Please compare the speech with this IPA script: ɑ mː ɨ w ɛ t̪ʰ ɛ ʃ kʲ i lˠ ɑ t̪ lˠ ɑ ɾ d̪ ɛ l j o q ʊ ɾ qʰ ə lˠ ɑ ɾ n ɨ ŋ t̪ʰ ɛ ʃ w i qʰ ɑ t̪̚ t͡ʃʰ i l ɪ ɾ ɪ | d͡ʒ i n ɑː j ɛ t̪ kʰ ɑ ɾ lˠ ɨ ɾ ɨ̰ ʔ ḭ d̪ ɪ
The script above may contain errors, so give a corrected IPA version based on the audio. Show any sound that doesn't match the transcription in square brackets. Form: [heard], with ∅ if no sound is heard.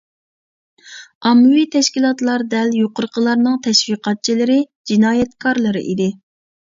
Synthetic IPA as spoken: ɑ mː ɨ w [i] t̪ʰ ɛ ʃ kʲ i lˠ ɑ t̪ lˠ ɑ ɾ d̪ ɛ l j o q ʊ ɾ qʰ ə lˠ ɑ ɾ n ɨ ŋ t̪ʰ ɛ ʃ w i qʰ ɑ t̪̚ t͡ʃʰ i l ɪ ɾ ɪ | d͡ʒ i n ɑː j ɛ t̪ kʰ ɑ ɾ lˠ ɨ ɾ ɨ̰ ʔ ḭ d̪ ɪ